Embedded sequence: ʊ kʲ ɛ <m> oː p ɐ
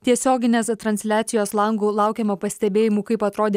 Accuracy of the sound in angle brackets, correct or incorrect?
correct